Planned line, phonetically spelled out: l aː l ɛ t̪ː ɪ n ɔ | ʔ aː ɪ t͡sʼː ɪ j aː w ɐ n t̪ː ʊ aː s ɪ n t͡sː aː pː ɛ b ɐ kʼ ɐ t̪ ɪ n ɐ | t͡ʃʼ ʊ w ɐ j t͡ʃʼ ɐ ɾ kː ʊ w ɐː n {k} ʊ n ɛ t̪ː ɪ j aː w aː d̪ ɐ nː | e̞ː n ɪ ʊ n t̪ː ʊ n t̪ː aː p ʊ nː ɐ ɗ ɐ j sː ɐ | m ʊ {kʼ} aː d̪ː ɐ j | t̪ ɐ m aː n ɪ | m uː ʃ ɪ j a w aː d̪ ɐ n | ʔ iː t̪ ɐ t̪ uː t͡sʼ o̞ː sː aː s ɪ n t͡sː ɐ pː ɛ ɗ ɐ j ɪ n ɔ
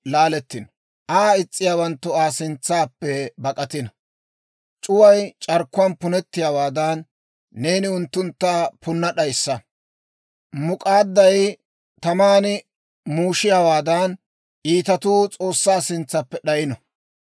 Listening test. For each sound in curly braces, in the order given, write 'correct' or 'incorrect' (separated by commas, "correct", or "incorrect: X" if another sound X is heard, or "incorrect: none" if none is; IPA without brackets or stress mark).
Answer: incorrect: p, correct